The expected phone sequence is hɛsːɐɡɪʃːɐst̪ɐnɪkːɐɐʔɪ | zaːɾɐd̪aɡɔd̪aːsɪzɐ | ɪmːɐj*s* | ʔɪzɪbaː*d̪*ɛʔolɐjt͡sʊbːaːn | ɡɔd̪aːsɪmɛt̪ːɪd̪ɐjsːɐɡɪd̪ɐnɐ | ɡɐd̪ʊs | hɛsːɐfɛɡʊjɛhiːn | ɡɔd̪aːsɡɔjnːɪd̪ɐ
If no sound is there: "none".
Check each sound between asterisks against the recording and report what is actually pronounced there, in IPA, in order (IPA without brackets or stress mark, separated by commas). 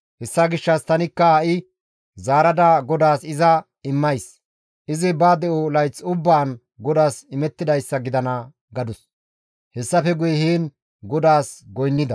s, d̪